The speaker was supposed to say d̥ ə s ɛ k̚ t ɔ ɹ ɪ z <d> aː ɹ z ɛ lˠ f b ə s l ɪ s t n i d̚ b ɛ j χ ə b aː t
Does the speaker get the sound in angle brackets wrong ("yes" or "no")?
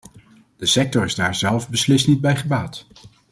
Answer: no